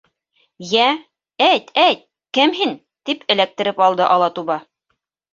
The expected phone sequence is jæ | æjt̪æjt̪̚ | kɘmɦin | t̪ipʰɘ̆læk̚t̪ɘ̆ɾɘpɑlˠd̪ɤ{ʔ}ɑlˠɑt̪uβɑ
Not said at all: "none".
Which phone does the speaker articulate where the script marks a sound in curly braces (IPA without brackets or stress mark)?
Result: ʔ